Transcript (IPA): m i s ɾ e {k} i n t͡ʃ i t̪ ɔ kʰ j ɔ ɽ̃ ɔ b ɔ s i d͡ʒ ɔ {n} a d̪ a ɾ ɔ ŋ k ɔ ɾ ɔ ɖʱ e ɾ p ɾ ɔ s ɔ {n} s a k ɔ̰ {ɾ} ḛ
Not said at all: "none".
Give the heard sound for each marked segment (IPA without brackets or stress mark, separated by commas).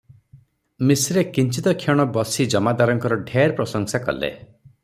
k, m, ŋ, l